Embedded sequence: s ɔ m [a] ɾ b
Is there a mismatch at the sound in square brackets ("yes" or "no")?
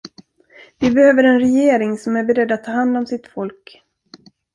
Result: yes